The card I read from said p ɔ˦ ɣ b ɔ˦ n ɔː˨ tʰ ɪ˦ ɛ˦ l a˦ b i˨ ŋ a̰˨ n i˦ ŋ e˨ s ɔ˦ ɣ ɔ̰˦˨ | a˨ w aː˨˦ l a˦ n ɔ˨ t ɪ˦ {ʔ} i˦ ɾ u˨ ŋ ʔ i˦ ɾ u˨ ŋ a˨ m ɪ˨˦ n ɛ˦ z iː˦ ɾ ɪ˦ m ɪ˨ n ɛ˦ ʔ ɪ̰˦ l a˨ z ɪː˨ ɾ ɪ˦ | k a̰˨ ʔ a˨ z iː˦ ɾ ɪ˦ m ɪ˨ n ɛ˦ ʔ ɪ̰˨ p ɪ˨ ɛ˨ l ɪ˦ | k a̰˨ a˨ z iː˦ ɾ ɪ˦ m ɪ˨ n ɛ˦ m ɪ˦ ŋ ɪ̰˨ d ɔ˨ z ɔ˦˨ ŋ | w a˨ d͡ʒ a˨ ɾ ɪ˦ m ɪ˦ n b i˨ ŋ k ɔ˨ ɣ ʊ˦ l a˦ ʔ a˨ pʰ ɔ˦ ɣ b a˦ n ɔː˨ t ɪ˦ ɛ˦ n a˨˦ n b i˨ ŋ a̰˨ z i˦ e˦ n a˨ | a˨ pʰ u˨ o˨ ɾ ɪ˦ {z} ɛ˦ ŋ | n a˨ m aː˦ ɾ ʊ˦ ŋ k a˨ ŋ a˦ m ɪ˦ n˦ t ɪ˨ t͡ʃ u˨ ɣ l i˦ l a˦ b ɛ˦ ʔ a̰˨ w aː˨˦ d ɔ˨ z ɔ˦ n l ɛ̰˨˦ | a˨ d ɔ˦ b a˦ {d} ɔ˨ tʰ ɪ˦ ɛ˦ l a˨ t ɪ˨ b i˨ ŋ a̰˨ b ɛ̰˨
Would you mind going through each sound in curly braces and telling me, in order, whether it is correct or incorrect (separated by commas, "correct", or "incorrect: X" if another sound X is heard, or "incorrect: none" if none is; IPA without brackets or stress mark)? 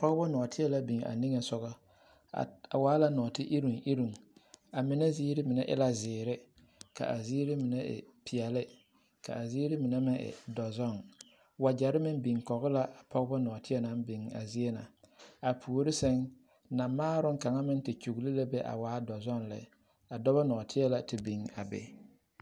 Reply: correct, incorrect: s, incorrect: n